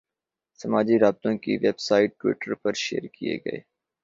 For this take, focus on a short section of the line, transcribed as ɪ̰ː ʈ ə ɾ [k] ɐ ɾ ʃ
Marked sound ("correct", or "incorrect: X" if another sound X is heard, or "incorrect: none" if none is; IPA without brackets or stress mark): incorrect: p